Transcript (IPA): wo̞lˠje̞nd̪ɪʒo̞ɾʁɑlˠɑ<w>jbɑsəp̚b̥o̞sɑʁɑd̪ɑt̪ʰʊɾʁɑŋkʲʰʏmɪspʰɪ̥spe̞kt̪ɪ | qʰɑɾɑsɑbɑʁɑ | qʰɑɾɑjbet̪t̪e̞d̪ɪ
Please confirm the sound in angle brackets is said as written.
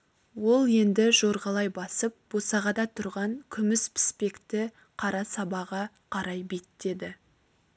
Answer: no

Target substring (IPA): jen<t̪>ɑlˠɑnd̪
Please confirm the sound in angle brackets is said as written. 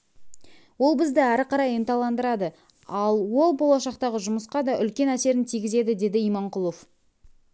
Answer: yes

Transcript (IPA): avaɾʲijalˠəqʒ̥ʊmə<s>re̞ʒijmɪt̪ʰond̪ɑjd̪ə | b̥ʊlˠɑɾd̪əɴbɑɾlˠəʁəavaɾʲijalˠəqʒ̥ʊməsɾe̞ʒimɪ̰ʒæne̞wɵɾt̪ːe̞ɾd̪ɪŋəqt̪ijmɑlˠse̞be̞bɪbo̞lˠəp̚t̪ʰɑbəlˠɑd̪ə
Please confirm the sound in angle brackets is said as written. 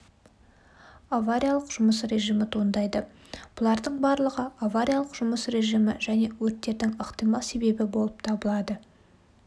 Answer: yes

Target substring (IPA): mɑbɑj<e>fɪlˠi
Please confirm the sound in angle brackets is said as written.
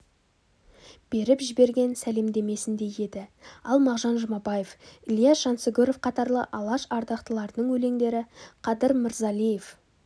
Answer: yes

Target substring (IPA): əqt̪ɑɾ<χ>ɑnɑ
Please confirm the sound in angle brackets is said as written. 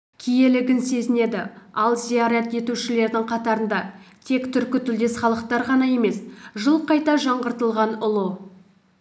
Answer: no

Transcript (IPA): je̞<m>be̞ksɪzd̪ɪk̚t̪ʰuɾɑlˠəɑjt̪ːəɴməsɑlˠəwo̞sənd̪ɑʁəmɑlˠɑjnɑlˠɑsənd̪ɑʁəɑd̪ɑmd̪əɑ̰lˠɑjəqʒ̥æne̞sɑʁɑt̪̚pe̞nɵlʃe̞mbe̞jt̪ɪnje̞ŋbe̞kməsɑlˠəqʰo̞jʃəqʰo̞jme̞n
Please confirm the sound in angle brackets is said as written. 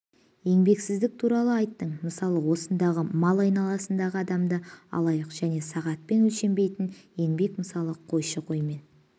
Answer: no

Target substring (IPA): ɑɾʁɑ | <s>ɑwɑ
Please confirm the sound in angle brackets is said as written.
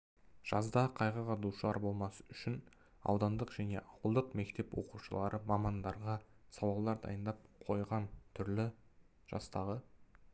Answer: yes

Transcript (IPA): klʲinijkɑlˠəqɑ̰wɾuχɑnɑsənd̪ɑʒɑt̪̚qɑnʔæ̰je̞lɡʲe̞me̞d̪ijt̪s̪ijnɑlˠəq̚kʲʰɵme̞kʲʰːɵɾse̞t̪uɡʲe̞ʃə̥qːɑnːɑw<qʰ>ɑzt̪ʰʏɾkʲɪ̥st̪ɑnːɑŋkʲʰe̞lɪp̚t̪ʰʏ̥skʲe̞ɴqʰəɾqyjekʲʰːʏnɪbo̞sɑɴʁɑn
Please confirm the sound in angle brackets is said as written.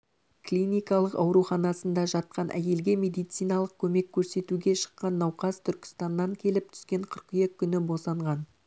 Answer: no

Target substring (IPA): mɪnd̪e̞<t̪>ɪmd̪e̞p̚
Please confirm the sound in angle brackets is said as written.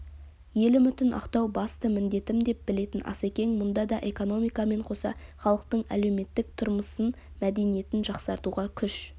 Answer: yes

